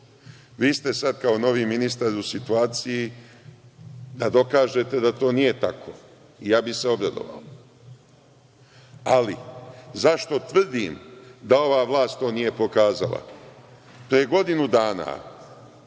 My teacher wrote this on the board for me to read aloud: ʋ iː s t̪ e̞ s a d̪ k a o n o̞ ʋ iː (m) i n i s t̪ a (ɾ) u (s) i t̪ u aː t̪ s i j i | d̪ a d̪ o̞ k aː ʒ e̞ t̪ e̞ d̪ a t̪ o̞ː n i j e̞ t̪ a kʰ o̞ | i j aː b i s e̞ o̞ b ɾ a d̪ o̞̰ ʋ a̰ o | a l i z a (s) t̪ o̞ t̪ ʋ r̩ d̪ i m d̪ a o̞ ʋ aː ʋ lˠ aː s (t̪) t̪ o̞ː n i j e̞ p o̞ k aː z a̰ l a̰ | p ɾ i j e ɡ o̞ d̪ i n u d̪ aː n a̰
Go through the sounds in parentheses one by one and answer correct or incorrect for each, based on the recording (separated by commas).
correct, correct, correct, incorrect, correct